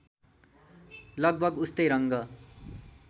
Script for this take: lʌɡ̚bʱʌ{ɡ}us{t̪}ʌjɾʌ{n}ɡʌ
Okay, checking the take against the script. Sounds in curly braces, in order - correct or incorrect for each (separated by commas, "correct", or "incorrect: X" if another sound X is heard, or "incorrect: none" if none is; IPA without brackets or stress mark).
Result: correct, correct, incorrect: ŋ